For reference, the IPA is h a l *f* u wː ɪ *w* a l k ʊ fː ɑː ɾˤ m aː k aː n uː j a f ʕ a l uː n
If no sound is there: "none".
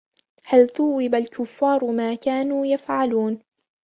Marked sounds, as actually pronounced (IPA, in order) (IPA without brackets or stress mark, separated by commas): θ, b